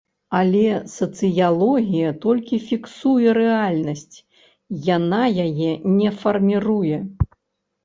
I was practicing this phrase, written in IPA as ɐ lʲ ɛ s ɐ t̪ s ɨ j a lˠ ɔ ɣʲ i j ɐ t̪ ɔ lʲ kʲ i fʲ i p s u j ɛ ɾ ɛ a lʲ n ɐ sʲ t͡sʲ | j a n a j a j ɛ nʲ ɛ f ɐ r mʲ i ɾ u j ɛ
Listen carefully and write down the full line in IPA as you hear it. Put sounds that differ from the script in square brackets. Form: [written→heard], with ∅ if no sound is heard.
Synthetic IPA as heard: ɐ lʲ ɛ s ɐ t̪ s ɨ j a lˠ ɔ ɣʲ i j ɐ t̪ ɔ lʲ kʲ i fʲ i [p→k] s u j ɛ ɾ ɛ a lʲ n ɐ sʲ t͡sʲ | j a n a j a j ɛ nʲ ɛ f ɐ r mʲ i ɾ u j ɛ